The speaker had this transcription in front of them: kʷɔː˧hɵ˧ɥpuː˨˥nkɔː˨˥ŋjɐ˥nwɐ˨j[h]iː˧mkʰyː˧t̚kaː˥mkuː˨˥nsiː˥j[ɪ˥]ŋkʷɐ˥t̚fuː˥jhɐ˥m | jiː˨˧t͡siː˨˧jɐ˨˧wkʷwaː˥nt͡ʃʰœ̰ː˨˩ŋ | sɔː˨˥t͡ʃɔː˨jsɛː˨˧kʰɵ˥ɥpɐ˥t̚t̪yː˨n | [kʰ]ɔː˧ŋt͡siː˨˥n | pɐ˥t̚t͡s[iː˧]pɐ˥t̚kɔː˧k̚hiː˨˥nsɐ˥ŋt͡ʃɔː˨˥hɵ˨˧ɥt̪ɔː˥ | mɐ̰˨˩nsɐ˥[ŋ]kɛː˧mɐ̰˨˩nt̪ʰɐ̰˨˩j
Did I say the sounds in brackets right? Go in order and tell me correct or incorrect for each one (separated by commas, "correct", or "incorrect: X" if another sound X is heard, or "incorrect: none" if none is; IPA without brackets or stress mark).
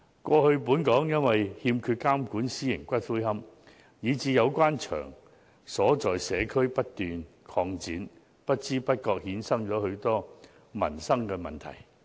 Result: correct, incorrect: ɪ˨˩, correct, incorrect: iː˥, correct